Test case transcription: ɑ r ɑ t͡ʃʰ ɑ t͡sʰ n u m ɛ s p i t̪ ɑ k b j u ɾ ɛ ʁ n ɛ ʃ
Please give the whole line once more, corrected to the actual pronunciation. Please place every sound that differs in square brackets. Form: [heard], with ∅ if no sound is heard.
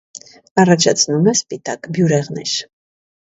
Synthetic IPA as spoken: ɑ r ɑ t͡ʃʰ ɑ t͡sʰ n u m ɛ s p i t̪ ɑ k b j u ɾ ɛ ʁ n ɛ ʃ

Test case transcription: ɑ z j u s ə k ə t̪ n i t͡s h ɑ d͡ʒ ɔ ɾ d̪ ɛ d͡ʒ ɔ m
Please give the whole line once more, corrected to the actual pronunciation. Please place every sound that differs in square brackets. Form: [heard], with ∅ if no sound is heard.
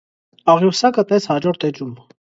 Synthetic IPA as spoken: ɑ [ʁ] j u s [ɑ] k ə t̪ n [ɛ] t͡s h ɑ d͡ʒ ɔ ɾ [t̪] ɛ d͡ʒ [u] m

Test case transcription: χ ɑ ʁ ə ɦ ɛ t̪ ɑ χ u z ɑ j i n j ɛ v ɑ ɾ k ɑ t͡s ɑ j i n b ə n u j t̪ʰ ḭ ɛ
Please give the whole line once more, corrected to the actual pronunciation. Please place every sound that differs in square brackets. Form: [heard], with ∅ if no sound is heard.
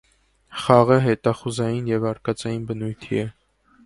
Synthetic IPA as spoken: χ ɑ ʁ ə ɦ ɛ t̪ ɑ χ u z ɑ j i n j ɛ v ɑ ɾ k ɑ t͡s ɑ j i n b ə n u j t̪ʰ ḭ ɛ

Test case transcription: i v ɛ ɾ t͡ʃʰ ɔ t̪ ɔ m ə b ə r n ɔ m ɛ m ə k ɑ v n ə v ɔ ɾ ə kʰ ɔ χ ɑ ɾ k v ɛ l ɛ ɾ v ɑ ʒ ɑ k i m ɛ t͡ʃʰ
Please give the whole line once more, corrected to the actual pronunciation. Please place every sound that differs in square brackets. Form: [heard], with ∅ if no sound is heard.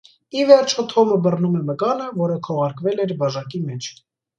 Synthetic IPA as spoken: i v ɛ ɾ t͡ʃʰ ɔ [t̪ʰ] ɔ m ə b ə r n [u] m ɛ m ə k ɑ [∅] n ə v ɔ ɾ ə kʰ ɔ [ʁ] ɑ ɾ k v ɛ l ɛ ɾ [b] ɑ ʒ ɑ k i m ɛ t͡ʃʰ

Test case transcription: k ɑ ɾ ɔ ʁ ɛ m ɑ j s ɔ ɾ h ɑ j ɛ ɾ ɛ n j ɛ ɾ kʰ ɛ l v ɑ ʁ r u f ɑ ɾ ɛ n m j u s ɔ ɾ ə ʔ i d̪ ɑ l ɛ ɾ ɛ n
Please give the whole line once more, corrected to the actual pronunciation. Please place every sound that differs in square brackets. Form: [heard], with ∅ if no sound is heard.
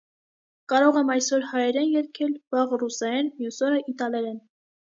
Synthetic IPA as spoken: k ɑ ɾ ɔ ʁ ɛ m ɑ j s ɔ ɾ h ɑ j ɛ ɾ ɛ n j ɛ ɾ kʰ ɛ l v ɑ ʁ r u [s] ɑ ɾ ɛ n m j u s ɔ ɾ ə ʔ i [t̪] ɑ l ɛ ɾ ɛ n

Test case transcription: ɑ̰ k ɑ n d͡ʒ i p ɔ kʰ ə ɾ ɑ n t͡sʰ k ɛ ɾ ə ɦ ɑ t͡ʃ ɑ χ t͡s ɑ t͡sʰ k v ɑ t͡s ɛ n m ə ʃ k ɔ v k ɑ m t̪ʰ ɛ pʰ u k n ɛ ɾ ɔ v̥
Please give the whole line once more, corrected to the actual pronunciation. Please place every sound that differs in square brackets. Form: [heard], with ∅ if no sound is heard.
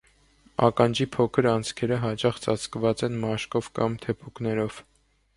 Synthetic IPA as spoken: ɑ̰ k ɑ n d͡ʒ i [pʰ] ɔ kʰ ə ɾ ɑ n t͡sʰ [kʰ] ɛ ɾ ə ɦ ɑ t͡ʃ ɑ χ t͡s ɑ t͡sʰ k v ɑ t͡s ɛ n m [ɑ] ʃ k ɔ v k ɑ m t̪ʰ ɛ pʰ u k n ɛ ɾ ɔ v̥

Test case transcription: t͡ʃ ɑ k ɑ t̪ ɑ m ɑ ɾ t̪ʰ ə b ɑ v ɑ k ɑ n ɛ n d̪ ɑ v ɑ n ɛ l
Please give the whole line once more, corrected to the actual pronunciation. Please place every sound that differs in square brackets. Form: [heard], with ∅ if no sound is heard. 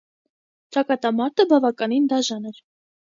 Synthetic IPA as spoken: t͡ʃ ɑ k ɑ t̪ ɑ m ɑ ɾ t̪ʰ ə b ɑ v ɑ k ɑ n [i] n d̪ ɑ [ʒ] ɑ n ɛ [ɾ]

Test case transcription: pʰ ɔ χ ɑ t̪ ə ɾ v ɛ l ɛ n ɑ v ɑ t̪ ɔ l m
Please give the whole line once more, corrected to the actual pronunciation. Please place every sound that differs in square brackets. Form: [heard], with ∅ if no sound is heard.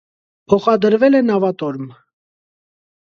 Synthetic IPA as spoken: pʰ ɔ χ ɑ [d̪] ə ɾ v ɛ l ɛ n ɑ v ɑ t̪ ɔ [ɾ] m

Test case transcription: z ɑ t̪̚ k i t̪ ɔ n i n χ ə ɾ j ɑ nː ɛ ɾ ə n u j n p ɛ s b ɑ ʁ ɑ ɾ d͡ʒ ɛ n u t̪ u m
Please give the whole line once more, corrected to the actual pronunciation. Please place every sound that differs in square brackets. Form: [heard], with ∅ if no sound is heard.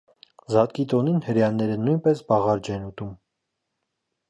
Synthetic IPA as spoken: z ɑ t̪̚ k i t̪ ɔ n i n [h] ə ɾ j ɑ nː ɛ ɾ ə n u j n p ɛ s b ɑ ʁ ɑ ɾ d͡ʒ ɛ n u t̪ u m

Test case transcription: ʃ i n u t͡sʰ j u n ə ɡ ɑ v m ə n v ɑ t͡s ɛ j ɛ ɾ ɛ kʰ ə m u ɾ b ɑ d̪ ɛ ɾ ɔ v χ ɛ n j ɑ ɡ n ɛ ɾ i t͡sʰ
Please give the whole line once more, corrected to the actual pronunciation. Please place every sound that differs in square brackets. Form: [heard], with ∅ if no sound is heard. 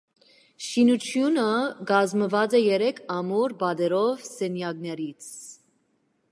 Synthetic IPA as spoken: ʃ i n u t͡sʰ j u n ə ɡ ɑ [z] m ə [∅] v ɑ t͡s ɛ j ɛ ɾ ɛ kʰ [ɑ] m u ɾ b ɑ d̪ ɛ ɾ ɔ v [s] ɛ n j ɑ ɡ n ɛ ɾ i t͡sʰ

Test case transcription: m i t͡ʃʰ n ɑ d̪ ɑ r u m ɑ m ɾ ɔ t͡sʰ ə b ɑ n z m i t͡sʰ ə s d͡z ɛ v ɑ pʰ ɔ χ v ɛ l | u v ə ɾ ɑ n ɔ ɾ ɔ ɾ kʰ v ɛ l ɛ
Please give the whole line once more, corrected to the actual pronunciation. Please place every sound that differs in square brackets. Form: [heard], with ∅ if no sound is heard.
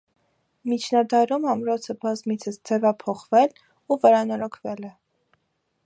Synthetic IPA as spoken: m i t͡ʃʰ n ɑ d̪ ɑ [ɾ] u m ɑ m ɾ ɔ t͡sʰ ə b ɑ [∅] z m i t͡sʰ ə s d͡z ɛ v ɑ pʰ ɔ χ v ɛ l | u v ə ɾ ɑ n ɔ ɾ ɔ [∅] kʰ v ɛ l ɛ

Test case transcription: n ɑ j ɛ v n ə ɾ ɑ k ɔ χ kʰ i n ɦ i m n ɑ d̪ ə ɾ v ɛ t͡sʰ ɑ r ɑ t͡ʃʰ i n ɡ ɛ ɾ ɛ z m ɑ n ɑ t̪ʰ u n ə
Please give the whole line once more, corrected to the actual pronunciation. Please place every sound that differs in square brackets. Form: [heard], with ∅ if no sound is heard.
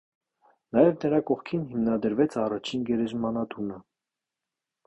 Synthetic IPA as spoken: n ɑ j ɛ v n ə ɾ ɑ k ɔ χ kʰ i n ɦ i m n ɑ d̪ ə ɾ v ɛ t͡sʰ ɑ r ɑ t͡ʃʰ i n ɡ ɛ ɾ ɛ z m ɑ n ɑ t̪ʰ u n ə

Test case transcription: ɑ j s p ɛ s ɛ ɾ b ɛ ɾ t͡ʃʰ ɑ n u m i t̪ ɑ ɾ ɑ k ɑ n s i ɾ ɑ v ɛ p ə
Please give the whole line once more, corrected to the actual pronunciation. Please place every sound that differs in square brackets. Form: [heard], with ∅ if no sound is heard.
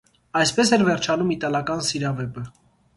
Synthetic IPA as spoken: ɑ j s p ɛ s ɛ ɾ [v] ɛ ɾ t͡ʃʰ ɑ n u m i t̪ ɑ [l] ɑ k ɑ n s i ɾ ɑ v ɛ p ə

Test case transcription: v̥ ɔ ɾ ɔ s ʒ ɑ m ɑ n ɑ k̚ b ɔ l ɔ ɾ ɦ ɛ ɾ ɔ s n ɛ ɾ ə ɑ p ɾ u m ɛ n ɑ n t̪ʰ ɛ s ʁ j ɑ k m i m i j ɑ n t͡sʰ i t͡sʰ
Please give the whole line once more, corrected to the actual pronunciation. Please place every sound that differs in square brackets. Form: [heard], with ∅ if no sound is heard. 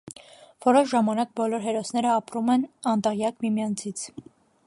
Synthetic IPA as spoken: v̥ ɔ ɾ ɔ [ʃ] ʒ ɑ m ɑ n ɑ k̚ b ɔ l ɔ ɾ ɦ ɛ ɾ ɔ s n ɛ ɾ ə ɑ p ɾ u m ɛ n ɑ n [t̪] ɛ [∅] ʁ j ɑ k m i m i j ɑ n t͡sʰ i t͡sʰ

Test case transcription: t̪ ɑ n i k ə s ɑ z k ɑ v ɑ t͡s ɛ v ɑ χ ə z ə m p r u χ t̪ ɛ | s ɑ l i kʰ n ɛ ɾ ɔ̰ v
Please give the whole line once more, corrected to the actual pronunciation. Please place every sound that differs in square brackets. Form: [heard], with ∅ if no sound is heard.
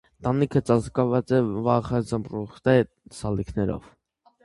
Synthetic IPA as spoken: t̪ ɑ n i [kʰ] ə [t͡s] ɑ z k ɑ v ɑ t͡s ɛ v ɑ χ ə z ə m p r u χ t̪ ɛ | s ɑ l i kʰ n ɛ ɾ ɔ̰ v

